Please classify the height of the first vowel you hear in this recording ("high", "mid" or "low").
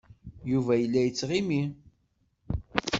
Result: high